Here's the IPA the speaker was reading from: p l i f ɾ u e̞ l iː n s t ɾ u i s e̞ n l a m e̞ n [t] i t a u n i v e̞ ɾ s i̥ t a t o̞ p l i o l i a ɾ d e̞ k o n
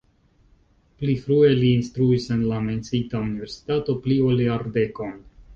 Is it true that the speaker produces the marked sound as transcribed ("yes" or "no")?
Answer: no